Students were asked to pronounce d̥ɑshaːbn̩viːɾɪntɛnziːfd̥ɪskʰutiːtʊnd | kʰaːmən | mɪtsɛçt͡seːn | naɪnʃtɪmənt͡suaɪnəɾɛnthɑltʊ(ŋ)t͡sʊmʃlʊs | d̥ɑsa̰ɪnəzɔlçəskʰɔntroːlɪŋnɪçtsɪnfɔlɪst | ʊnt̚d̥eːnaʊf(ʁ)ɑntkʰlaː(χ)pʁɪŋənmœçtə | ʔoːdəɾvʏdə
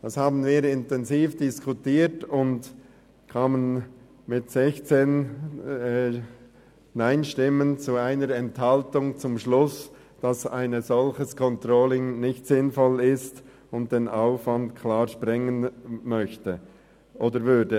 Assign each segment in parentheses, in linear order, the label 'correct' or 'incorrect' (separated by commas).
correct, incorrect, incorrect